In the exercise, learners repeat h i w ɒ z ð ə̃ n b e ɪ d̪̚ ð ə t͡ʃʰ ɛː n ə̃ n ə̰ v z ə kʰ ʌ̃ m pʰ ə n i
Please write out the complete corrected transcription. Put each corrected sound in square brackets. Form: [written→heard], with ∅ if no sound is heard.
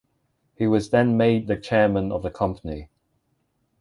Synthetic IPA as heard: h i w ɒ z ð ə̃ n [b→m] e ɪ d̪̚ ð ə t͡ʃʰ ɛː [n→m] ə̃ n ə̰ v [z→ð] ə kʰ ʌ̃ m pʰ ə n i